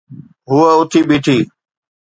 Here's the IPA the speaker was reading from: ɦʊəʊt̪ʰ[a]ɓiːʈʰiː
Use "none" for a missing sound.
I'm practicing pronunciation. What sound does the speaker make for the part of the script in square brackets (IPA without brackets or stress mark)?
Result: i